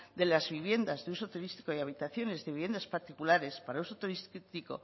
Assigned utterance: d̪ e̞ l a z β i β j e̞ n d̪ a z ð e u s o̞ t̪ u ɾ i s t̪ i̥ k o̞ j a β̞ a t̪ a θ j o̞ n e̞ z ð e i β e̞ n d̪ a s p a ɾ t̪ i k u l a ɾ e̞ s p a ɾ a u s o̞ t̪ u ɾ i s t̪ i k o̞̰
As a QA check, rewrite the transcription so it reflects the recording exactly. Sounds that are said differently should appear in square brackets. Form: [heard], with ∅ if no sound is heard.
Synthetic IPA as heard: d̪ e̞ l a z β i β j e̞ n d̪ a z ð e u s o̞ t̪ u ɾ i s t̪ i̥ k o̞ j a β̞ [i] t̪ a θ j o̞ n e̞ z ð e i β e̞ n d̪ a s p a ɾ t̪ i k u l a ɾ e̞ s p a ɾ a u s o̞ t̪ u ɾ i s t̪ i k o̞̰